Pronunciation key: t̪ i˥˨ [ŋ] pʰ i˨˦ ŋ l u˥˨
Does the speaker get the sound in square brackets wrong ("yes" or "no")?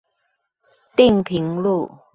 no